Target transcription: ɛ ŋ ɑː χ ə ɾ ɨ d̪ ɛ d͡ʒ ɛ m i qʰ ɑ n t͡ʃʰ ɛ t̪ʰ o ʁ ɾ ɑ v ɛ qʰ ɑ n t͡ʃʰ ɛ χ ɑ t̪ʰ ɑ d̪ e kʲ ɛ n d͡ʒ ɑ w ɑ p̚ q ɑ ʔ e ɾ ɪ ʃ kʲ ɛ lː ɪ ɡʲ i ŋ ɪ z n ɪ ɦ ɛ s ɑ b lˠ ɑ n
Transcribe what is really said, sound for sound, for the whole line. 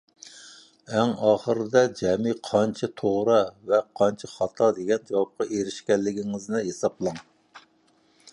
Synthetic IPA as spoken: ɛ ŋ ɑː χ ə ɾ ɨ d̪ ɛ d͡ʒ ɛ m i qʰ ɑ n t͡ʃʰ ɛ t̪ʰ o ʁ ɾ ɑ v ɛ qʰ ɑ n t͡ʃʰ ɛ χ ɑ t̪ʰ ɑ d̪ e ɡʲ ɛ n d͡ʒ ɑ w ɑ p̚ q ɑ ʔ e ɾ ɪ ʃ kʲ ɛ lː ɪ ɡʲ i ŋ ɪ z n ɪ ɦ e s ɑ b lˠ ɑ ŋ

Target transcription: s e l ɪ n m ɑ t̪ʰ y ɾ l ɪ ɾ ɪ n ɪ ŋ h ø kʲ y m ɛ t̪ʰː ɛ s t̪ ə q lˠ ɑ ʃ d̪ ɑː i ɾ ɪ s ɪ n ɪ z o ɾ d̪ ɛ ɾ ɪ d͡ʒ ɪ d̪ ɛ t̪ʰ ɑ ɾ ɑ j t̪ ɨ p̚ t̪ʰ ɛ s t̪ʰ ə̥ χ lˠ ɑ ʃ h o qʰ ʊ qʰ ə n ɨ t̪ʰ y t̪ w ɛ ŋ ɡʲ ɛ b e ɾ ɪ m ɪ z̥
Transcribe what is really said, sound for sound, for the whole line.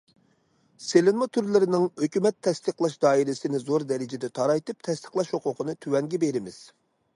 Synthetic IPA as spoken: s e l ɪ n m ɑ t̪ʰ y ɾ l ɪ ɾ ɪ n ɪ ŋ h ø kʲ y m ɛ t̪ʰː ɛ s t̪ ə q lˠ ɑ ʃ d̪ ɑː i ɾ ɪ s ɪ n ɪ z o ɾ d̪ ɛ ɾ ɪ d͡ʒ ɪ d̪ ɛ t̪ʰ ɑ ɾ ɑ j t̪ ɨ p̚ t̪ʰ ɛ s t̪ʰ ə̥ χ lˠ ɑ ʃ h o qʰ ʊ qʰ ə n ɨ t̪ʰ y w ɛ ŋ ɡʲ ɛ b e ɾ ɪ m ɪ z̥

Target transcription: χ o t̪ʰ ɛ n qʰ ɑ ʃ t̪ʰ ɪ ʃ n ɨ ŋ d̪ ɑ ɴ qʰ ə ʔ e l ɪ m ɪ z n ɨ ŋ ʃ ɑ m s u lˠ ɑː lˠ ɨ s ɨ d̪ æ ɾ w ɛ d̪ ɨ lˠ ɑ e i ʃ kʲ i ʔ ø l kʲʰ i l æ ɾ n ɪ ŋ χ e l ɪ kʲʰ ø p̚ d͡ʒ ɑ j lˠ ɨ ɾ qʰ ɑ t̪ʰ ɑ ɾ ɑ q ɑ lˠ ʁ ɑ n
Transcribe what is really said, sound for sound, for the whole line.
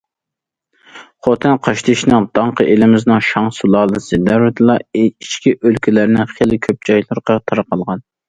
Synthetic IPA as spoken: χ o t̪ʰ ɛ n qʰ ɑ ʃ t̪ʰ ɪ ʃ n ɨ ŋ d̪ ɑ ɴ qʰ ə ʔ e l ɪ m ɪ z n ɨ ŋ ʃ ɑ ŋ s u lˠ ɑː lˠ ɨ s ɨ d̪ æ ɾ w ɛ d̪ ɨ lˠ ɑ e i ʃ kʲ i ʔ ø l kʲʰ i l æ ɾ n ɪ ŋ χ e l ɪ kʲʰ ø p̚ d͡ʒ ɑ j lˠ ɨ ɾ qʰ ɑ t̪ʰ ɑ ɾ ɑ q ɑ lˠ ʁ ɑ n

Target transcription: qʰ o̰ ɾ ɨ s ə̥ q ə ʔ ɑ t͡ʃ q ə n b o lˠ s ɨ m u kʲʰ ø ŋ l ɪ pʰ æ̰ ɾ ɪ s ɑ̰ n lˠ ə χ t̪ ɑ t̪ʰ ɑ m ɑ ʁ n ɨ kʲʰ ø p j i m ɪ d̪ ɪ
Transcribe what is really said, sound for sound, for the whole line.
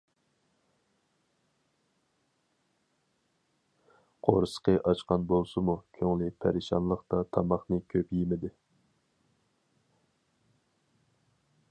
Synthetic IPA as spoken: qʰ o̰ ɾ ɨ s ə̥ q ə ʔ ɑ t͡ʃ q ɑ n b o lˠ s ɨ m u kʲʰ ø ŋ l ɪ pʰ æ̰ ɾ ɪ ʃ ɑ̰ n lˠ ə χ t̪ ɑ t̪ʰ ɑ m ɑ χ n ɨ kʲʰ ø p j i m ɪ d̪ ɪ

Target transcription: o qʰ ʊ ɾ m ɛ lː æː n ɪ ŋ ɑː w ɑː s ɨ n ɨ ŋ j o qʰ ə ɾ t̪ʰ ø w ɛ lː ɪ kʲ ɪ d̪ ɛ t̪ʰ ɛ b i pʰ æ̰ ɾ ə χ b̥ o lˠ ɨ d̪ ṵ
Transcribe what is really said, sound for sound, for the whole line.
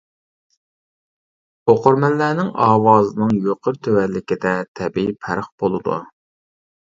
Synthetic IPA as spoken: o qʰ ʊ ɾ m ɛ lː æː n ɪ ŋ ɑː w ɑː z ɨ n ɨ ŋ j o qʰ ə ɾ t̪ʰ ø w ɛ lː ɪ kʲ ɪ d̪ ɛ t̪ʰ ɛ b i pʰ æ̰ ɾ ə χ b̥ o lˠ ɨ d̪ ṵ

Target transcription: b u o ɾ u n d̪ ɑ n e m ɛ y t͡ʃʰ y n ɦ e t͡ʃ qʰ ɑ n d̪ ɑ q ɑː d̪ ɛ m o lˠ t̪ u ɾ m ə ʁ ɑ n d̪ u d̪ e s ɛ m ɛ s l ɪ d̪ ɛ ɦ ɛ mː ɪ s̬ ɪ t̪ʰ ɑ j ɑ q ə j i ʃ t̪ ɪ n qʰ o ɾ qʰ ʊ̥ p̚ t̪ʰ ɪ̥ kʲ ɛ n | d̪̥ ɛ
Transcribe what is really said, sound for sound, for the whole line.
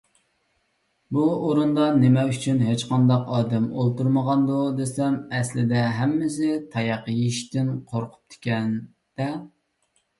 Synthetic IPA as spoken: b u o ɾ u n d̪ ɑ n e m ɛ y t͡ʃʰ y n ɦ e t͡ʃ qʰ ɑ n d̪ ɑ q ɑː d̪ ɛ m o lˠ t̪ u ɾ m ə ʁ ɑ n d̪ u d̪ e s ɛ m ɛ s l ɪ d̪ ɛ ɦ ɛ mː ɪ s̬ ɪ t̪ʰ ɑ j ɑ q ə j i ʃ t̪ ɪ n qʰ o ɾ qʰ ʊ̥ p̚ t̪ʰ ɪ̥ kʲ ɛ n | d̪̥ ɛ

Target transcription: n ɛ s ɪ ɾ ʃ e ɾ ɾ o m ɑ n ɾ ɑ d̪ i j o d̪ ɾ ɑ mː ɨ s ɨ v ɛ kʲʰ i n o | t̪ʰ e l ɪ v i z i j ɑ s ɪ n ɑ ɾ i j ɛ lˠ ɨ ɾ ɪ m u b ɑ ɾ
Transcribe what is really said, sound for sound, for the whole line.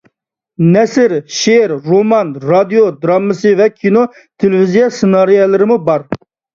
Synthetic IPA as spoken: n ɛ s ɪ ɾ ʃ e ɾ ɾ o m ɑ n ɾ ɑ d̪ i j o d̪ ɾ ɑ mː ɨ s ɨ v ɛ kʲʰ i n o | t̪ʰ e l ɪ v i z i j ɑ s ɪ n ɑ ɾ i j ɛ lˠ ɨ ɾ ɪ m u b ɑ ɾ

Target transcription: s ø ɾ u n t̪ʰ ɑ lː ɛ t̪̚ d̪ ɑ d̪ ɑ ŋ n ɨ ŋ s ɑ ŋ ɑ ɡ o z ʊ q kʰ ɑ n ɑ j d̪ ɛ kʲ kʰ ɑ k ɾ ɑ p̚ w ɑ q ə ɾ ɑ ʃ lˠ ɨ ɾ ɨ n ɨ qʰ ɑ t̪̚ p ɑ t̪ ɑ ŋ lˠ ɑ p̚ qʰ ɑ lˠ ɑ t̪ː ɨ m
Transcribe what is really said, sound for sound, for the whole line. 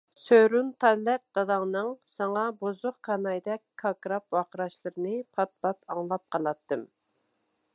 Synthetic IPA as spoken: s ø ɾ u n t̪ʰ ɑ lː ɛ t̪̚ d̪ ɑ d̪ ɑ ŋ n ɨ ŋ s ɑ ŋ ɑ b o z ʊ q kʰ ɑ n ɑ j d̪ ɛ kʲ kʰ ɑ k ɾ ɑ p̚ w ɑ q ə ɾ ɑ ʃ lˠ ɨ ɾ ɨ n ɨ pʰ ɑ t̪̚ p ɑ t̪ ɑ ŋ lˠ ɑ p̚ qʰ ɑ lˠ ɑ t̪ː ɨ m

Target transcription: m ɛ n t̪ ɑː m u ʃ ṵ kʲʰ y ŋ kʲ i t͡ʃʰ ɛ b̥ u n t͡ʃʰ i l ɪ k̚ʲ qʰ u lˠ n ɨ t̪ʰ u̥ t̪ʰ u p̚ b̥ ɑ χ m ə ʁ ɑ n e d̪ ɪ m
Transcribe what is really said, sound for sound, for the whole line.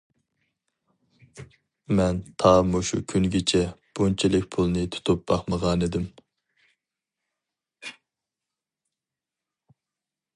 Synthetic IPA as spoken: m ɛ n t̪ʰ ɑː m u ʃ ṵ kʲʰ y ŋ ɡʲ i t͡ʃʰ ɛ b̥ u n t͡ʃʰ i l ɪ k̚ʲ pʰ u lˠ n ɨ t̪ʰ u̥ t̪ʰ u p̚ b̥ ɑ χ m ə ʁ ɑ n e d̪ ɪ m

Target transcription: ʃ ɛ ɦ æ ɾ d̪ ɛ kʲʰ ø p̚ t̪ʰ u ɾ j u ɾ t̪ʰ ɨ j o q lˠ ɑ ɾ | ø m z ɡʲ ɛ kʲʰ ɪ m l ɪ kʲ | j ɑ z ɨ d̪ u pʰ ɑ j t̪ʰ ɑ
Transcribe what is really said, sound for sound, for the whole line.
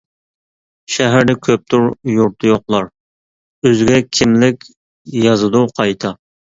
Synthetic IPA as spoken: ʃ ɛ ɦ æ ɾ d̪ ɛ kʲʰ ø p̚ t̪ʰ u ɾ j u ɾ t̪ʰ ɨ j o q lˠ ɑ ɾ | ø z ɡʲ ɛ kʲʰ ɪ m l ɪ kʲ | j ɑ z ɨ d̪ u qʰ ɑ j t̪ʰ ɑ

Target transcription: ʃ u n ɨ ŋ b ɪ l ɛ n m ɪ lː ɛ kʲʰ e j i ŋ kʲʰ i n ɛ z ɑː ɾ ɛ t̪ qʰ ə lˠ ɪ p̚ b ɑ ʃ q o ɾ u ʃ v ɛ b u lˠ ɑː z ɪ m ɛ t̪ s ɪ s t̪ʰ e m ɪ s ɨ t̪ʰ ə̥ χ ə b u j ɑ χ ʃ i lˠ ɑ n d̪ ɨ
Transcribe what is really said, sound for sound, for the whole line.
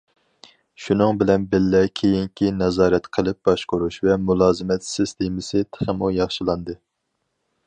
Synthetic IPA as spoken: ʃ u n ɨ ŋ b ɪ l ɛ n b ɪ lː ɛ kʲʰ e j i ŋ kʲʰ i n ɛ z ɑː ɾ ɛ t̪ qʰ ə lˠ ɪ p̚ b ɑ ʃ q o ɾ u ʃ v ɛ m u lˠ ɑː z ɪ m ɛ t̪ s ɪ s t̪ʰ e m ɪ s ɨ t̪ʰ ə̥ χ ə m u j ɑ χ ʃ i lˠ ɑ n d̪ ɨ

